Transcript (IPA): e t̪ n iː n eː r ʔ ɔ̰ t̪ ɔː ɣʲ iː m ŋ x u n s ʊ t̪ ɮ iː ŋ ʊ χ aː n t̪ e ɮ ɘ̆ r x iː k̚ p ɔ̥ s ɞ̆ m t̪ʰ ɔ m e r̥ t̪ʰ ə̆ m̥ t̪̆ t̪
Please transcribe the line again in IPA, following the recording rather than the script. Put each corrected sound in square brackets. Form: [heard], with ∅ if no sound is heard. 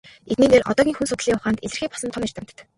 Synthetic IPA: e t̪ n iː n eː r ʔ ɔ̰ t̪ ɔː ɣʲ iː [∅] ŋ x u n s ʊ t̪ ɮ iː ŋ ʊ χ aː n t̪ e ɮ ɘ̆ r x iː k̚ p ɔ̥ s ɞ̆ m t̪ʰ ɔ m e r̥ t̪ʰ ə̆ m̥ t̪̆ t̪